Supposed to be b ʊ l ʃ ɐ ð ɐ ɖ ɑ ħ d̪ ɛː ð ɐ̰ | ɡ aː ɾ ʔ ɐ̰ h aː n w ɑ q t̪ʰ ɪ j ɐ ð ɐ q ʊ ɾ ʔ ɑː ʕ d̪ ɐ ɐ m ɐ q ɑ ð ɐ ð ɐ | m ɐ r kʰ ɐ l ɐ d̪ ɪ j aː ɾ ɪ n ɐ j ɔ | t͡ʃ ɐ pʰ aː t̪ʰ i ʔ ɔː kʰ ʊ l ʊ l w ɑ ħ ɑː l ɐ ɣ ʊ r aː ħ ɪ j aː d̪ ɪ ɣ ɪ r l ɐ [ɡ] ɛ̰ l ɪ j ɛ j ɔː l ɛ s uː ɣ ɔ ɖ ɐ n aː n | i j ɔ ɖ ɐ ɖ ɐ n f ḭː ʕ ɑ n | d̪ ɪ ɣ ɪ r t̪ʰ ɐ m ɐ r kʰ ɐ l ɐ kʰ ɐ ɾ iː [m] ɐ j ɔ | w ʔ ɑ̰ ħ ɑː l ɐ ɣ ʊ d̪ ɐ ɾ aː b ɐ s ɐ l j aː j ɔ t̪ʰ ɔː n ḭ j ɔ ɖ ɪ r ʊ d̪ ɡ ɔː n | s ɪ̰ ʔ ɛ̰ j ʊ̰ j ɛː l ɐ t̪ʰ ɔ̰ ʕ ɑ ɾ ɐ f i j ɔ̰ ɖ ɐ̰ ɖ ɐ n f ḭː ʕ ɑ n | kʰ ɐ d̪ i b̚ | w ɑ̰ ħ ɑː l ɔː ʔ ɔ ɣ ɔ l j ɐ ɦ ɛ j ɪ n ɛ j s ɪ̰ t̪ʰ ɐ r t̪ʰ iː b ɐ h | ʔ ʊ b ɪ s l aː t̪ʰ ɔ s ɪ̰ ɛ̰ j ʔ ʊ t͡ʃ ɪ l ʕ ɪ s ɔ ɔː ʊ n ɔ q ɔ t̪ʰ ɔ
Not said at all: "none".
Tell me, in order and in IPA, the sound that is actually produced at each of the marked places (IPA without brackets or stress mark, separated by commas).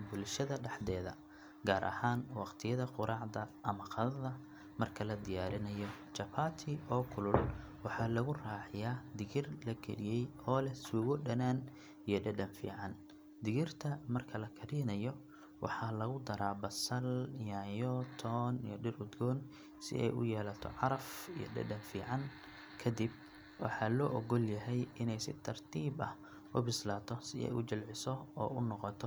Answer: ɡ, n